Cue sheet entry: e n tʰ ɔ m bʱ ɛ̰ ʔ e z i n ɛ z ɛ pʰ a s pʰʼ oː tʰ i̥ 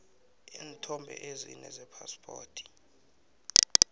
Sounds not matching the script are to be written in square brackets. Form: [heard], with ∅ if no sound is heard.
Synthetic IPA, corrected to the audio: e n tʰ ɔ m bʱ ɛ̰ ʔ e z i n ɛ z ɛ pʰ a s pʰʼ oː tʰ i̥